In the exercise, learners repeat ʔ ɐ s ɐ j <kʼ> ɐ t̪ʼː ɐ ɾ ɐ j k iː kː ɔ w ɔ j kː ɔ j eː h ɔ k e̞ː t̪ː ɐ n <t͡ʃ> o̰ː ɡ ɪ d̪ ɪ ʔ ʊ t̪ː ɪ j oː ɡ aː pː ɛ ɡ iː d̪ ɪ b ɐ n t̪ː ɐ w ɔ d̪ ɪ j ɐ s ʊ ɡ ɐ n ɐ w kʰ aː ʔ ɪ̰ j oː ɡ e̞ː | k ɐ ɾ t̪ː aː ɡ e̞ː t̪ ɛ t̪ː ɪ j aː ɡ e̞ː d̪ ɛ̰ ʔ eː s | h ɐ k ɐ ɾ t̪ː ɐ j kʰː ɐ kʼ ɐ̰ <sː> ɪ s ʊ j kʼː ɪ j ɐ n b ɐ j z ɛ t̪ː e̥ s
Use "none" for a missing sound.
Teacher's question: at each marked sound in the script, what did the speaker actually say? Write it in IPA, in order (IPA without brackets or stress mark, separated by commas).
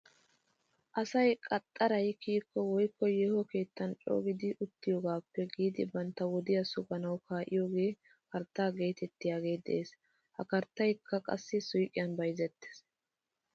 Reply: kʼ, t͡ʃʼ, sː